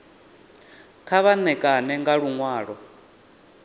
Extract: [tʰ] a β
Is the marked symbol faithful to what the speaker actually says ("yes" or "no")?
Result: no